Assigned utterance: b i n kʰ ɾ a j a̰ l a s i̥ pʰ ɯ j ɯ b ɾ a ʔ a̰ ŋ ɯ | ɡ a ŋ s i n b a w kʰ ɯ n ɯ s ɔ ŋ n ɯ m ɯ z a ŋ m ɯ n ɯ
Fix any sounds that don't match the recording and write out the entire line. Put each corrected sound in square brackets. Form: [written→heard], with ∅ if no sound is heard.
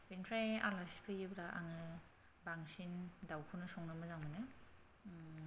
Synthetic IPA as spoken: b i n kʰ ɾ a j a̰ l a s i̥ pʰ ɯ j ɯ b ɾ a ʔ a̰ ŋ ɯ | [ɡ→b] a ŋ s i n [b→d] a w kʰ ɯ n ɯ s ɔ ŋ n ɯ m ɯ z a ŋ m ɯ n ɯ